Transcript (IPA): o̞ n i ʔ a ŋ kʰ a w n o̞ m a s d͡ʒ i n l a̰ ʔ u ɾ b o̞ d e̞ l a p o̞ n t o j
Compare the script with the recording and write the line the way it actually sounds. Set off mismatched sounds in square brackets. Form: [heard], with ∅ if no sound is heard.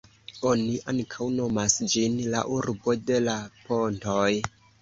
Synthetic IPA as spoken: o̞ n i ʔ a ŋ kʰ a w n o̞ m a s d͡ʒ i n l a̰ ʔ u ɾ b o̞ d e̞ l a p o̞ n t o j

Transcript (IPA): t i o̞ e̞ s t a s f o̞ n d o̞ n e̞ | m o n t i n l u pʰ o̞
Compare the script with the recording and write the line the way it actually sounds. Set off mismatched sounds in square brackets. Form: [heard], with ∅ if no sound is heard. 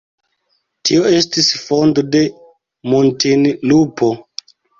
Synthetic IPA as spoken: t i o̞ e̞ s t [i] s f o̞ n d o̞ [d] e̞ | m o n t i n l u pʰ o̞

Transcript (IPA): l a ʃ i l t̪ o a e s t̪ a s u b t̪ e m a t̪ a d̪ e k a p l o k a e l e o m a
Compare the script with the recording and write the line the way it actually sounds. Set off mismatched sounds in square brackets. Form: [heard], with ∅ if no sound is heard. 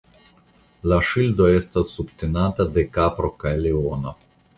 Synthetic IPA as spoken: l a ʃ i l [d̪] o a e s t̪ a s u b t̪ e [n] a t̪ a d̪ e k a p [ɾ] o k a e l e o [n] a

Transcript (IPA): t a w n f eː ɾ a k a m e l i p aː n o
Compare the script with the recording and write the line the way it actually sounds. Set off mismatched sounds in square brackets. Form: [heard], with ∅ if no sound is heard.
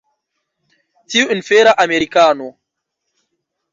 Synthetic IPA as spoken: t [i] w n f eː ɾ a [ʔ] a m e [ɾ] i [k] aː n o

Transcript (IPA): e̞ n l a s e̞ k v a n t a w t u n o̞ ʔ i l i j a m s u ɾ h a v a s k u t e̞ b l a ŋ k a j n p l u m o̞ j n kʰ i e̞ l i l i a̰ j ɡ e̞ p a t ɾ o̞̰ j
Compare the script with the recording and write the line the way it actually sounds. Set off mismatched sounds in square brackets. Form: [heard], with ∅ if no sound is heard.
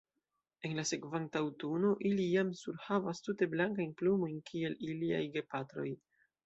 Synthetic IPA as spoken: e̞ n l a s e̞ k v a n t a w t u n o̞ ʔ i l i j a m s u ɾ h a v a s [t] u t e̞ b l a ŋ k a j n p l u m o̞ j n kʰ i e̞ l i l i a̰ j ɡ e̞ p a t ɾ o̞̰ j

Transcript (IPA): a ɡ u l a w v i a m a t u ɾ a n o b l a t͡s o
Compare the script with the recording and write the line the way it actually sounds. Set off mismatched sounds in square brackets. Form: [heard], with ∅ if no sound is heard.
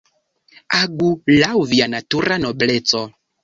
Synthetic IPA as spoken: a ɡ u l a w v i a [n] a t u ɾ a n o b l [e] t͡s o

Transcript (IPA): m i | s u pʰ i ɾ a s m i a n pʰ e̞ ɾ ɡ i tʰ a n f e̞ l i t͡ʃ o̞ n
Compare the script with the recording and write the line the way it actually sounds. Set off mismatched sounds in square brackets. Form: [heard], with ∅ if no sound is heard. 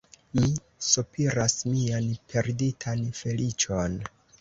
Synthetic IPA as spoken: m i | s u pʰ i ɾ a s m i a n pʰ e̞ ɾ [d] i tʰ a n f e̞ l i t͡ʃ o̞ n

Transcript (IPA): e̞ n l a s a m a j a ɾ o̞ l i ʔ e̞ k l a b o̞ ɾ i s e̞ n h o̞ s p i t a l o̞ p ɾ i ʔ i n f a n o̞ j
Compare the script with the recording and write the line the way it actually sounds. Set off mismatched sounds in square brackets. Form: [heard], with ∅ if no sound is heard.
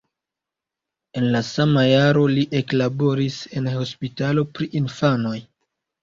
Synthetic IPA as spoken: e̞ n l a s a m a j a ɾ o̞ l i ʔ e̞ k l a b o̞ ɾ i s e̞ n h o̞ s p i t a l o̞ p ɾ i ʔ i n f a n o̞ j

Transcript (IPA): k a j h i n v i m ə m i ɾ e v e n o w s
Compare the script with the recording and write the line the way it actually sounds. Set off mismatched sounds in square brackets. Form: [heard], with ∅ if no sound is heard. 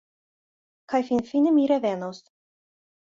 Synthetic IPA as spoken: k a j [f] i n [f] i [n] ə m i ɾ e v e n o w s

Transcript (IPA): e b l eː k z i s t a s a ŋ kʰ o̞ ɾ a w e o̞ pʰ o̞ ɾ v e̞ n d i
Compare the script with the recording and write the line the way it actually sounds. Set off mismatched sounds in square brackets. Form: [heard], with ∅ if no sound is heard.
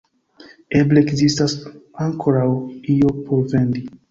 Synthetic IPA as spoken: e b l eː k z i s t a s a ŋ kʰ o̞ ɾ a w [i] o̞ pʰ o̞ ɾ v e̞ n d i

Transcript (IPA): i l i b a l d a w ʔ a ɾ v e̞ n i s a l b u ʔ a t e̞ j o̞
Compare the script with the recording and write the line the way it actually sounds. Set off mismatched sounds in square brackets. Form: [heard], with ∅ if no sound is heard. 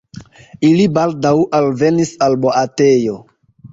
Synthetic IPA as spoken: i l i b a l d a w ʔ a [l] v e̞ n i s a l b [o] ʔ a t e̞ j o̞

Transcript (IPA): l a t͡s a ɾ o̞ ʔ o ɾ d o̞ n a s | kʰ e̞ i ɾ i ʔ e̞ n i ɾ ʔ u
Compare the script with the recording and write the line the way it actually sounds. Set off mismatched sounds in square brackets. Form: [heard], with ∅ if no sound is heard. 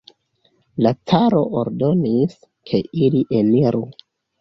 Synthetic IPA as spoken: l a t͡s a ɾ o̞ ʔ o ɾ d o̞ n [i] s | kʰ e̞ i [l] i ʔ e̞ n i ɾ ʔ u

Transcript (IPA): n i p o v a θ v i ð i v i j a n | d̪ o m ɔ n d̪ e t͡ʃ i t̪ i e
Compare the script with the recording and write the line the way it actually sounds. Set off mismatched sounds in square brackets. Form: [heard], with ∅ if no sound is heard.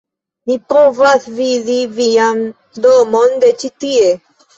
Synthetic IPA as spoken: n i p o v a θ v i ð i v i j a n | d̪ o m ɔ n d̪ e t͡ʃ i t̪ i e

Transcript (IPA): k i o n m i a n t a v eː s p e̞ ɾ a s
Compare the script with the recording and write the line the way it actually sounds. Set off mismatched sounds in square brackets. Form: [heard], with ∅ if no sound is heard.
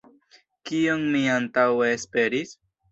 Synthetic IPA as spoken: k i o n m i a n t a [w] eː s p e̞ ɾ [i] s

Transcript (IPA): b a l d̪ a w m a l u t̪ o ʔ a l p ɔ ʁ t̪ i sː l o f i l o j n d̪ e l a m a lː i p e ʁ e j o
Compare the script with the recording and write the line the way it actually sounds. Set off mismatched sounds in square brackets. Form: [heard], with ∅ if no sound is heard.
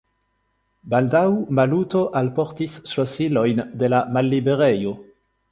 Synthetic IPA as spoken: b a l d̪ a w m a l u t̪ o ʔ a l p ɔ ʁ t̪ i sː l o [s] i l o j n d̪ e l a m a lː i [b] e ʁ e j o

